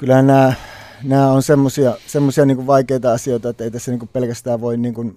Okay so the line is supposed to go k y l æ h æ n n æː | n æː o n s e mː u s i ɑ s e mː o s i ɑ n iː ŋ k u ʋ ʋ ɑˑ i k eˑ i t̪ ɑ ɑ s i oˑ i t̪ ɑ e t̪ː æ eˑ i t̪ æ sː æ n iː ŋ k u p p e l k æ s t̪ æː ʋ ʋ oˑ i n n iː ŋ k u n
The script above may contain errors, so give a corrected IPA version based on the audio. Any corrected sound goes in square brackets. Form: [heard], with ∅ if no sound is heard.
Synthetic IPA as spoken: k y l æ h æ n n æː | n æː o n s e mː [o] s i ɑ s e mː o s i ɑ n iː ŋ k u ʋ ʋ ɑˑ i k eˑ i t̪ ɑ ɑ s i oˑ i t̪ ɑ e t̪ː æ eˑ i t̪ æ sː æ n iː ŋ k u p p e l k æ s t̪ æː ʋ ʋ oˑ i n n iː ŋ k u n